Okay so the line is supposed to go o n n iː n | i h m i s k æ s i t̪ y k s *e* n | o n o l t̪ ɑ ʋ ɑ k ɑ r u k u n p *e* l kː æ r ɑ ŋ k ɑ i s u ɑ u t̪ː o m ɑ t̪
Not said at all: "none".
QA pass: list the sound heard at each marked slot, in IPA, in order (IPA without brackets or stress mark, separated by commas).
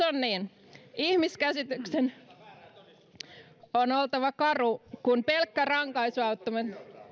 e, e